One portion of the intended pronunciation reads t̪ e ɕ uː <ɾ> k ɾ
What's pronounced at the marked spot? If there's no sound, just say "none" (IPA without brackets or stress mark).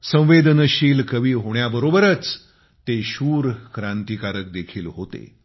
ɾ